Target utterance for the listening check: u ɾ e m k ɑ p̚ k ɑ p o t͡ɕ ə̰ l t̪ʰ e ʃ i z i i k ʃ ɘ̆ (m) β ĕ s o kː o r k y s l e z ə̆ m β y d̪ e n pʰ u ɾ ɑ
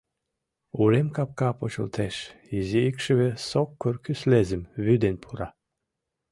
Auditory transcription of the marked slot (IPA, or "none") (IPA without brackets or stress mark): none